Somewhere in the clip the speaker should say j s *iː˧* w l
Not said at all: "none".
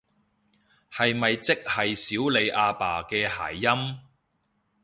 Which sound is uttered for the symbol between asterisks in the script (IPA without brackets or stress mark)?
iː˨˥